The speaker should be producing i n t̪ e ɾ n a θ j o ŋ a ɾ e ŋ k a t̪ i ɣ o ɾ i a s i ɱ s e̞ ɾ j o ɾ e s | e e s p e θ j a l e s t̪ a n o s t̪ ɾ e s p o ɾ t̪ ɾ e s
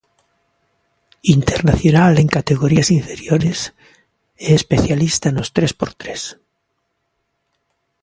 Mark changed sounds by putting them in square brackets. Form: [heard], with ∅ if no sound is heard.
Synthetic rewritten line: i n t̪ e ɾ n a θ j o [n] a [l] e ŋ k a t̪ [e] ɣ o ɾ i a s i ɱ [f] e̞ ɾ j o ɾ e s | e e s p e θ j a l [i] s t̪ a n o s t̪ ɾ e s p o ɾ t̪ ɾ e s